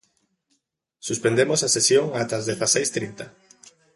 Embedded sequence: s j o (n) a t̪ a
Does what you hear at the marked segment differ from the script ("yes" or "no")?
yes